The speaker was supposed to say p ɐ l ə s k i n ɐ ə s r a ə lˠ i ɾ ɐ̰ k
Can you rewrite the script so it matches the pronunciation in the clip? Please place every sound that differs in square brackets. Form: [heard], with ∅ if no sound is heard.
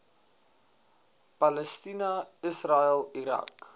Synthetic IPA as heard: p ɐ l ə s [t] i n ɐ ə s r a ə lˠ i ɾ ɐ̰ k